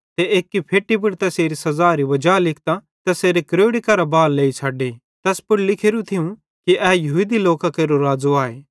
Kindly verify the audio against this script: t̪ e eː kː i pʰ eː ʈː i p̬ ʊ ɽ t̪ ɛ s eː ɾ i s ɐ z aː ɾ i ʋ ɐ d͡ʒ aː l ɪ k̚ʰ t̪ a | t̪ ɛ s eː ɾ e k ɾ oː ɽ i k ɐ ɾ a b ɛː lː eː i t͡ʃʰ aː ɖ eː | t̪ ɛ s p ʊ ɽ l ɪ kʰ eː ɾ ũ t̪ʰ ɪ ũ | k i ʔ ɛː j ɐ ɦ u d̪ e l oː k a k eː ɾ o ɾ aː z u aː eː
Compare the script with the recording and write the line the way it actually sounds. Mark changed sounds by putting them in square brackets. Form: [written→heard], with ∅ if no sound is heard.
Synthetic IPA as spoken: t̪ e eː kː i pʰ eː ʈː i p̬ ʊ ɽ t̪ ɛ s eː ɾ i s ɐ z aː ɾ i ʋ ɐ d͡ʒ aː l ɪ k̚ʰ t̪ a | t̪ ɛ s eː ɾ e k ɾ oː ɽ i k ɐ ɾ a b [ɛː→aː] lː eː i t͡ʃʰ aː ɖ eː | t̪ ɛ s p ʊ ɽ l ɪ kʰ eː ɾ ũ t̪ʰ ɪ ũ | k i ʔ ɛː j ɐ ɦ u d̪ [e→i] l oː k a k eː ɾ o ɾ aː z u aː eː

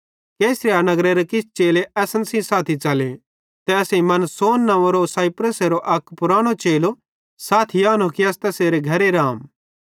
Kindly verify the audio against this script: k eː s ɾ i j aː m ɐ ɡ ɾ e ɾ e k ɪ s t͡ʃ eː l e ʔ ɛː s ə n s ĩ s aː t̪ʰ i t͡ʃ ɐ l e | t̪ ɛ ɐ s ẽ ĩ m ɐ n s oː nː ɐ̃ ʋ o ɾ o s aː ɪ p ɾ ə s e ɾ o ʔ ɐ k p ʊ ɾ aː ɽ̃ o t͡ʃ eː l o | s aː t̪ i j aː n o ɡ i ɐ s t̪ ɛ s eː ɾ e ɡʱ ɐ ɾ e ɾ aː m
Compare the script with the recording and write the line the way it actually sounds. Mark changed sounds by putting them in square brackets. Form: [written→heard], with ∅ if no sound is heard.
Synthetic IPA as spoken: k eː s ɾ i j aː [m→n] ɐ ɡ ɾ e ɾ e k ɪ s t͡ʃ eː l e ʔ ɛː s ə n s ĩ s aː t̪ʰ i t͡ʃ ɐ l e | t̪ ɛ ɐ s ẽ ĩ m ɐ n s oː nː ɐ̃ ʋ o ɾ o s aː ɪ p ɾ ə s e ɾ o ʔ ɐ k p ʊ ɾ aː ɽ̃ o t͡ʃ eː l o | s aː [t̪→t̪ʰ] i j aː n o [ɡ→k] i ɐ s t̪ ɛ s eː ɾ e ɡʱ ɐ ɾ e ɾ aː m

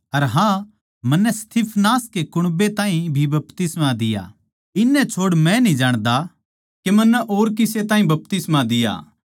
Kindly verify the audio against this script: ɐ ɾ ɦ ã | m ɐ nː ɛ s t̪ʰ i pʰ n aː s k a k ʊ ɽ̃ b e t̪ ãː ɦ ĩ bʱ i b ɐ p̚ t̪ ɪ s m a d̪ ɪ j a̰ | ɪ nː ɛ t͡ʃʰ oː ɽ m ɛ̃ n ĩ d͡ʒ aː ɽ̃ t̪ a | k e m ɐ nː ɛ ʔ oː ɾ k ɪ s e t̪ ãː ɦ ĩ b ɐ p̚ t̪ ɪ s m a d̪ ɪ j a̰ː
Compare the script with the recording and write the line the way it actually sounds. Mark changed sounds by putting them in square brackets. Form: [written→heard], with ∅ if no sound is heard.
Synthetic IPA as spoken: ɐ ɾ ɦ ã | m ɐ nː ɛ s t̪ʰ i pʰ n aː s k [a→e] k ʊ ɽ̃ b e t̪ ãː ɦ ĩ bʱ i b ɐ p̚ t̪ ɪ s m a d̪ ɪ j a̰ | ɪ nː ɛ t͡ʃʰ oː ɽ m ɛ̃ n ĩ d͡ʒ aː ɽ̃ [t̪→d̪] a | k e m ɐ nː ɛ ʔ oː ɾ k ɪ s e t̪ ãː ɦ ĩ b ɐ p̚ t̪ ɪ s m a d̪ ɪ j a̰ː

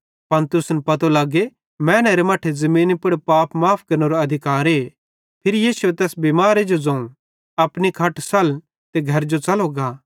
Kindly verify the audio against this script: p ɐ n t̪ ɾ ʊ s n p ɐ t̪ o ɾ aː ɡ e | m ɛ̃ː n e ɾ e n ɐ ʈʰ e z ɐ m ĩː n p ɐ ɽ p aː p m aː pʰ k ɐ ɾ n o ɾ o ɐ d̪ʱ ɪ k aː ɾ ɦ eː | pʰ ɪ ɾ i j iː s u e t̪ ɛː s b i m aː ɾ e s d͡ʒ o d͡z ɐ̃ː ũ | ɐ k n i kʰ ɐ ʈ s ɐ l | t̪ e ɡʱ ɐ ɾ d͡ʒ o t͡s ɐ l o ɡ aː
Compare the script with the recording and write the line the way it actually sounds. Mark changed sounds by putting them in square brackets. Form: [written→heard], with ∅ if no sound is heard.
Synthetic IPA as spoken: p ɐ n t̪ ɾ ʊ s n p ɐ t̪ o [ɾ→l] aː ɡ e | m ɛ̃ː n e ɾ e [n→m] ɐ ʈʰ e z ɐ m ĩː n p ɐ ɽ p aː p m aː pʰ k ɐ ɾ n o ɾ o ɐ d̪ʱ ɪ k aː ɾ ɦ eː | pʰ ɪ ɾ i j iː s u e t̪ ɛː s b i m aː ɾ e [s→∅] d͡ʒ o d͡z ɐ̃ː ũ | ɐ [k→p] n i kʰ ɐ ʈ s ɐ l | t̪ e ɡʱ ɐ ɾ d͡ʒ o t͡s ɐ l o ɡ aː

